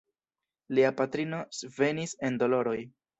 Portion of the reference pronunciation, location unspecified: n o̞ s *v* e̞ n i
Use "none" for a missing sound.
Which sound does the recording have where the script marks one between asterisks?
v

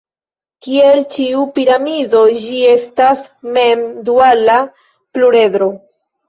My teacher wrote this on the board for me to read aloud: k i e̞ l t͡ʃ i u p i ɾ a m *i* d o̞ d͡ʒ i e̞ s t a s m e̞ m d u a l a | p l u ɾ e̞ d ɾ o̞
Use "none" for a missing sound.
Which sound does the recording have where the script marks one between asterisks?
i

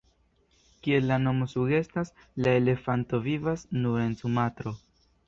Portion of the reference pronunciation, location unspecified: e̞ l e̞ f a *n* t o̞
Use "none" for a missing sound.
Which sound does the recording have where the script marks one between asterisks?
n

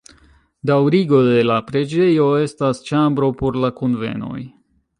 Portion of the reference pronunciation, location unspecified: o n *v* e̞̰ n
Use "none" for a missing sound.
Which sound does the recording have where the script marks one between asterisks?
v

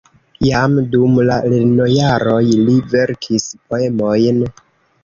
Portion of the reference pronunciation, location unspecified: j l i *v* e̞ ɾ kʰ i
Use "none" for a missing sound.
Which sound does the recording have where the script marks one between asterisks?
v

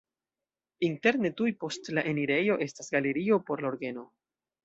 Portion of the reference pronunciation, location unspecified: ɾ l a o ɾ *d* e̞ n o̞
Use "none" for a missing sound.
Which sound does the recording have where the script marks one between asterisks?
ɡ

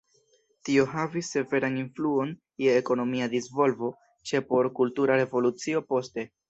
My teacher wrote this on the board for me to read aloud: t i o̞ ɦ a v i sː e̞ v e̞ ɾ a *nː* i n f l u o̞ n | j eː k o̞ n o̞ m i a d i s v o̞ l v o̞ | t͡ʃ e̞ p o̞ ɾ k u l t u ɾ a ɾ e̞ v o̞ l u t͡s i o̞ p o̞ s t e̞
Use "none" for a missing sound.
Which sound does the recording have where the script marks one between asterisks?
n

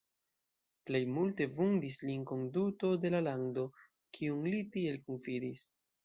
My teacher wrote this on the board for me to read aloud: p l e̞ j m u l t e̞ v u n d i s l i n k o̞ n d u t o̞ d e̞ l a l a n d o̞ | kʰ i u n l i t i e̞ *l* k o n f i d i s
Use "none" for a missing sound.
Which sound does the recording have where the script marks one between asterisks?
l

